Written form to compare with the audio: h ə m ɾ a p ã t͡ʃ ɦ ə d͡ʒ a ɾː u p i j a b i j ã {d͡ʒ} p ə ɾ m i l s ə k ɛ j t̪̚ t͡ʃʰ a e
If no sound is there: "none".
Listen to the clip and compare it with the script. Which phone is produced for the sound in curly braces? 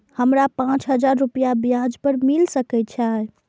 d͡ʒ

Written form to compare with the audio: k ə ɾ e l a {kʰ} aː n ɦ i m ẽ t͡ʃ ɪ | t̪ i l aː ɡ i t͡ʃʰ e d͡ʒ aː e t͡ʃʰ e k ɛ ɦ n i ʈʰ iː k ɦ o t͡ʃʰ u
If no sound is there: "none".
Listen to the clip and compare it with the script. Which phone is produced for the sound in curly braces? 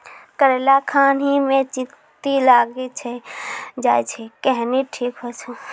kʰ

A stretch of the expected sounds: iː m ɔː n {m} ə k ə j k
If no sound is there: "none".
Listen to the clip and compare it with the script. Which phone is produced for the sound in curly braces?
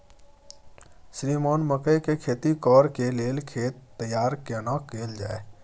m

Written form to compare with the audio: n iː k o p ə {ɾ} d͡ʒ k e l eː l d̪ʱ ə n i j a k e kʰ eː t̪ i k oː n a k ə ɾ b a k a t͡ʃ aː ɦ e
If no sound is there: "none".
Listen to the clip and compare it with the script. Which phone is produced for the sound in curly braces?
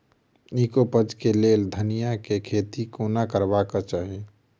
none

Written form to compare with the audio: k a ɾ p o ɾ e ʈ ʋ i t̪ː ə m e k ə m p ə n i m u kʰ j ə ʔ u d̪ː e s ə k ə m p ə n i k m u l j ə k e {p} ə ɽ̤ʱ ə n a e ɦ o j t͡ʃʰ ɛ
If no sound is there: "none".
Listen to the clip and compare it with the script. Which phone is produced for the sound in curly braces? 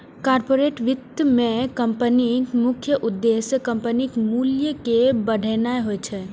b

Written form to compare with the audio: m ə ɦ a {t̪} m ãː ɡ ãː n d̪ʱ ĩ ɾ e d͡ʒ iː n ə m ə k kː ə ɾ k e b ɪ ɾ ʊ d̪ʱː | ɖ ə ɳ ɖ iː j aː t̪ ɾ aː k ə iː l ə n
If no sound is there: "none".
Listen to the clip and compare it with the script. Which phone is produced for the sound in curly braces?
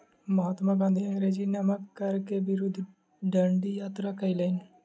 t̪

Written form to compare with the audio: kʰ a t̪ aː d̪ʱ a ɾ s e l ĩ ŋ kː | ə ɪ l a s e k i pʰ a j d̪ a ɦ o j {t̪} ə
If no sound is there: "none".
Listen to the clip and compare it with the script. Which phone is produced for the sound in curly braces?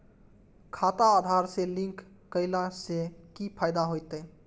t̪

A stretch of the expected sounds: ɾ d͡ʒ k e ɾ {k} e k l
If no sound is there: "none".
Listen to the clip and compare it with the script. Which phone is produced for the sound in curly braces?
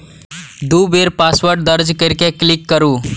k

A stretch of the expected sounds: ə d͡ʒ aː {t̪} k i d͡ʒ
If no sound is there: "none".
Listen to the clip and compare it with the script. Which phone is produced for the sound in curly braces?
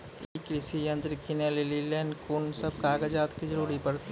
t̪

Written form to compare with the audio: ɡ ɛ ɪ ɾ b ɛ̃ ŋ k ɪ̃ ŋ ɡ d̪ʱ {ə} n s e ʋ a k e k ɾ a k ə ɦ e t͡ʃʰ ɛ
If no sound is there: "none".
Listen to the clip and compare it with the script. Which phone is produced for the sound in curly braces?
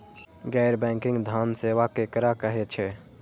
a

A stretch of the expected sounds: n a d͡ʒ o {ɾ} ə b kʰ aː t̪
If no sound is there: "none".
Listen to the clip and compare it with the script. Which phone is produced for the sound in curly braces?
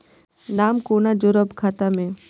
ɾ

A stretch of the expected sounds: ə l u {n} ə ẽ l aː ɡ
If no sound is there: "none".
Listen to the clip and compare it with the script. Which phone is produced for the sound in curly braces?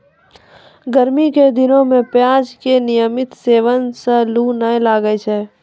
n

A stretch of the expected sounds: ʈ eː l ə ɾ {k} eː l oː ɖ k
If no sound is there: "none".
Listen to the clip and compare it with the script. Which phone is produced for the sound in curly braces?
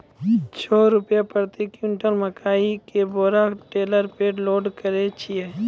p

